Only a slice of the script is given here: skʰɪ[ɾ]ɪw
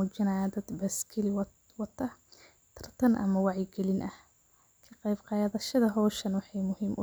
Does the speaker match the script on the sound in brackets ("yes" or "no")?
no